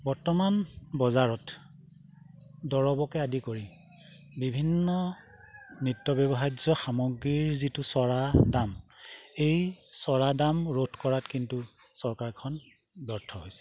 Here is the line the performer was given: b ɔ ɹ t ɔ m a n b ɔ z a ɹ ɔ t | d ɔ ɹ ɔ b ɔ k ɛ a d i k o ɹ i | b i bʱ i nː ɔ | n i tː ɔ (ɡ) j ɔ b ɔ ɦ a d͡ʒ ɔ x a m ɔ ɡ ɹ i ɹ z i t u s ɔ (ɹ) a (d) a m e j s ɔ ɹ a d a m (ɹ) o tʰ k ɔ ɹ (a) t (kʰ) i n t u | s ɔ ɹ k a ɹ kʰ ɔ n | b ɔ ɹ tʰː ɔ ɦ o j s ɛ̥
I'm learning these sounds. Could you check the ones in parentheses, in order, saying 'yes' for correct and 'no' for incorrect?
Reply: no, yes, yes, yes, yes, no

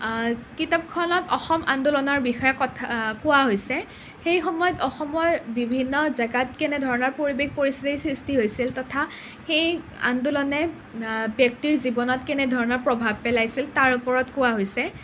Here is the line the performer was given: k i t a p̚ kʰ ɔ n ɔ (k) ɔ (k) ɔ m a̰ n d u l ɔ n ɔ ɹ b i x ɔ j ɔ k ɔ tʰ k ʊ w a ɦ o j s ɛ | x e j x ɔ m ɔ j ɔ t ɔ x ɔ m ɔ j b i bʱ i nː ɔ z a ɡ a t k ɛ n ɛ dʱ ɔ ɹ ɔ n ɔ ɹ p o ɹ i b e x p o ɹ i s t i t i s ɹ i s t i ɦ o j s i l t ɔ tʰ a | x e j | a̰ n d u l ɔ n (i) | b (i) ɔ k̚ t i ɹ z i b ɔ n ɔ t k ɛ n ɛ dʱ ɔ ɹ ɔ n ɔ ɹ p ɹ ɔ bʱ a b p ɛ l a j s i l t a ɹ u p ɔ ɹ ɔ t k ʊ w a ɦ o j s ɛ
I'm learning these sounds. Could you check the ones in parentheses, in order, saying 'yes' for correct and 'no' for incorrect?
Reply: no, no, no, no

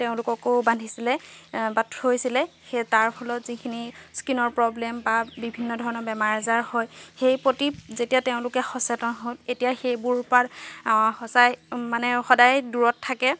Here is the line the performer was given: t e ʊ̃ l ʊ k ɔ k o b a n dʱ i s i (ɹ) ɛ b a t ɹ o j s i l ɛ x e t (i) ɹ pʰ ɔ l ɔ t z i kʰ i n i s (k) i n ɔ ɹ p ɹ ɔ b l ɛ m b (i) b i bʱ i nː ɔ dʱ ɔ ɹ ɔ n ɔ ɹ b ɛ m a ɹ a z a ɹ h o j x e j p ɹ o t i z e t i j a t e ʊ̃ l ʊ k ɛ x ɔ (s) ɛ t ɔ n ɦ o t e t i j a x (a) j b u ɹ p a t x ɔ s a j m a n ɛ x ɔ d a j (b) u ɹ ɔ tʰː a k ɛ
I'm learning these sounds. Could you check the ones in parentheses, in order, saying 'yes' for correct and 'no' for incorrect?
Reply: no, no, yes, no, yes, no, no

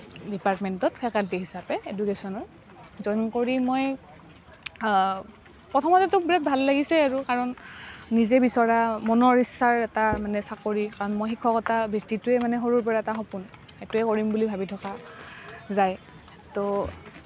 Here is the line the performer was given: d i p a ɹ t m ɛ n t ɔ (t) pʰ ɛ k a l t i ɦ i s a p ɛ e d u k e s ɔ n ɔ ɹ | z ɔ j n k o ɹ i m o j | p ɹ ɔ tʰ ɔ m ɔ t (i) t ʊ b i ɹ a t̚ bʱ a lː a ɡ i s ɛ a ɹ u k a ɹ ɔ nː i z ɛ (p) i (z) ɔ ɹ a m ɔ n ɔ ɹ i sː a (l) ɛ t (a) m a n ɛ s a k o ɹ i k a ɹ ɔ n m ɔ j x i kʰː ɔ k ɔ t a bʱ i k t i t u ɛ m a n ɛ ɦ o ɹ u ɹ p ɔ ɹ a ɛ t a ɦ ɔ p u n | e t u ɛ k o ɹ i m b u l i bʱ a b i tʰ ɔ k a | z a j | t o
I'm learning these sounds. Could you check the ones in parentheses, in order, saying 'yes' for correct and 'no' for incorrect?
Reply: yes, no, no, no, no, yes

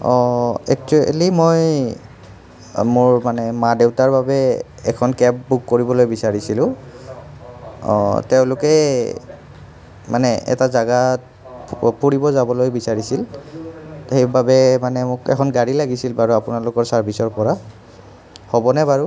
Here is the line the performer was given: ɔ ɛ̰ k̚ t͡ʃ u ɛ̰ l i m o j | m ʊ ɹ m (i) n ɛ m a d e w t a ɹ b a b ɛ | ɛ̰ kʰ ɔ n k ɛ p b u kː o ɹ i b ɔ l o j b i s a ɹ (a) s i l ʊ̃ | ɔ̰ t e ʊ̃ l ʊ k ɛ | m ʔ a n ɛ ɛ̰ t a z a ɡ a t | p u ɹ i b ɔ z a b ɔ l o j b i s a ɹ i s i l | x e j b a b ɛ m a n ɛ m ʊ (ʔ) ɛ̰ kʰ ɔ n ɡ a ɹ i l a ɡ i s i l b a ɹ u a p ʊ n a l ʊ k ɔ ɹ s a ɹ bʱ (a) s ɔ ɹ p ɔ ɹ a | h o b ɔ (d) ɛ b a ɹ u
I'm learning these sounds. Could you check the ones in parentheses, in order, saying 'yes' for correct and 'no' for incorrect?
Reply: no, no, no, no, no

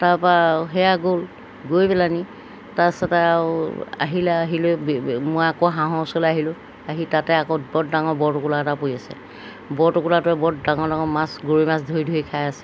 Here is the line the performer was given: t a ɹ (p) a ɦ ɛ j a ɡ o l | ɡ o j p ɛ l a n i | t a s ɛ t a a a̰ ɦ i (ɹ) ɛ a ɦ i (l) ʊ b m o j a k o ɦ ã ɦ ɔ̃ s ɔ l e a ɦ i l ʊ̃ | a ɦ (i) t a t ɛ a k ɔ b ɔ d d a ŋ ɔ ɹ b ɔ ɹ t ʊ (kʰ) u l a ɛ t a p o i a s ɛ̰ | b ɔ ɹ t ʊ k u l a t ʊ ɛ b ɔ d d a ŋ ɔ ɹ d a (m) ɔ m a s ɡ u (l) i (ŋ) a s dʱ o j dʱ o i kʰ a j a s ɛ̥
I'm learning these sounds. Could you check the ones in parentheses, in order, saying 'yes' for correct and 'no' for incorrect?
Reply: yes, no, yes, yes, no, no, no, no

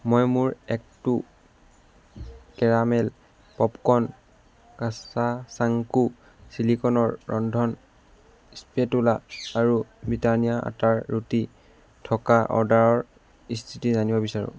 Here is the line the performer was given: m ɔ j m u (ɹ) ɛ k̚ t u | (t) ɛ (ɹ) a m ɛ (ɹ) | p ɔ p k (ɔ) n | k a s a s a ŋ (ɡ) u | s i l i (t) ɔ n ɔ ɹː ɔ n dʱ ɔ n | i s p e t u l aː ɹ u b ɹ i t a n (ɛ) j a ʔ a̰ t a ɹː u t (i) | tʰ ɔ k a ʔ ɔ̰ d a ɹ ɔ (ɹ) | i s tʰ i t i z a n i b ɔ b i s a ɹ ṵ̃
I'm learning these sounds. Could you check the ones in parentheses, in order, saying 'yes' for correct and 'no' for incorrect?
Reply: yes, no, yes, no, yes, no, no, no, yes, yes

